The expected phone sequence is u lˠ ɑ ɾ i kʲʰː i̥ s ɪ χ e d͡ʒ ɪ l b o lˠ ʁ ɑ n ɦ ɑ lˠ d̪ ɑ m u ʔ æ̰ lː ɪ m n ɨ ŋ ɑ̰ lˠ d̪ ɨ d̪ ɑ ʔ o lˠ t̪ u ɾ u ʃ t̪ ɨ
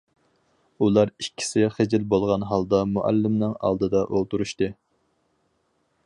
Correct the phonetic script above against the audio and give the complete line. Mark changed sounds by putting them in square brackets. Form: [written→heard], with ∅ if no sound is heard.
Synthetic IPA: u lˠ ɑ ɾ i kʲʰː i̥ s ɪ χ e d͡ʒ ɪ l b o lˠ ʁ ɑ n ɦ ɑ lˠ d̪ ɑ m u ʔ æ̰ lː ɪ m n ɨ ŋ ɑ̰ lˠ d̪ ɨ d̪ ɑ ʔ o lˠ t̪ u ɾ u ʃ t̪ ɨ